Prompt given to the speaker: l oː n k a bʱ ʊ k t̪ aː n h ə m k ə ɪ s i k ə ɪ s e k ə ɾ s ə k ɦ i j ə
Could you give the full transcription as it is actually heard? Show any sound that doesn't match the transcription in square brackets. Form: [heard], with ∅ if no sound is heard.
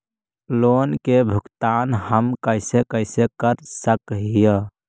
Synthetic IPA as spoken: l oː n k [e] bʱ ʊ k t̪ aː n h ə m k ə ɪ s [e] k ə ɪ s e k ə ɾ s ə k ɦ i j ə

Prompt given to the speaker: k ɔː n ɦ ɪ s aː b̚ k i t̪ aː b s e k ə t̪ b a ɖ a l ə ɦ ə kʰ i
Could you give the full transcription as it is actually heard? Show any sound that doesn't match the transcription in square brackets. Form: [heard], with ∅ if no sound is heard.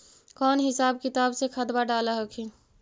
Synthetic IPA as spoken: k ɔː n ɦ ɪ s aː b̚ k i t̪ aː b s e [kʰ] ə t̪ b a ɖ a l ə ɦ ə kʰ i

